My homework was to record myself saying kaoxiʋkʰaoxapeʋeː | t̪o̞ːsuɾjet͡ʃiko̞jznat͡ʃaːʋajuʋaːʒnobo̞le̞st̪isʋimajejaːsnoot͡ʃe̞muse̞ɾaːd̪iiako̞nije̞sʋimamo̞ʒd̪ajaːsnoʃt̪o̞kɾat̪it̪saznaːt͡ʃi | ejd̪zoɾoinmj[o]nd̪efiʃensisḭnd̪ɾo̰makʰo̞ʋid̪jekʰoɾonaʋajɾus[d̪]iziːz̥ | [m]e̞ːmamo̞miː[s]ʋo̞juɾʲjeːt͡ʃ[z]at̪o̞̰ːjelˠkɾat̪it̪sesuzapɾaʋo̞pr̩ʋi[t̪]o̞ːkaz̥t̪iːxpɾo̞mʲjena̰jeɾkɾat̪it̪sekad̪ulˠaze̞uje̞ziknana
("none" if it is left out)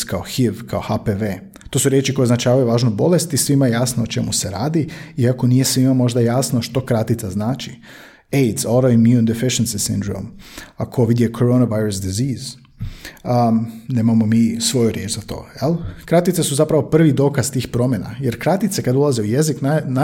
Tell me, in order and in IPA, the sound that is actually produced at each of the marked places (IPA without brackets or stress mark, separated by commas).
u, d̪, n, s, z, d̪